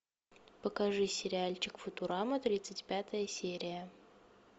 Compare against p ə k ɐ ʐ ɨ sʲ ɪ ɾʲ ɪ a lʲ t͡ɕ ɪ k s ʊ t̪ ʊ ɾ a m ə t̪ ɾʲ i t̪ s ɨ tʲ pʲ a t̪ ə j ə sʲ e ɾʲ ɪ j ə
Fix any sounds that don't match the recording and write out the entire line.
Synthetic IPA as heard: p ə k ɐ ʐ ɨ sʲ ɪ ɾʲ ɪ a lʲ t͡ɕ ɪ k f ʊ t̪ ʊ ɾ a m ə t̪ ɾʲ i t̪ s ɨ tʲ pʲ a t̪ ə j ə sʲ e ɾʲ ɪ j ə